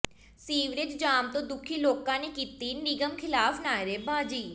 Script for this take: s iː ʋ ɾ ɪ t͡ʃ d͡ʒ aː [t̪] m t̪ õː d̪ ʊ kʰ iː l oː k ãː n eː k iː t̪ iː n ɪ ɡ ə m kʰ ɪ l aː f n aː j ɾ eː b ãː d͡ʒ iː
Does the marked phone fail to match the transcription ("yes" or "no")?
yes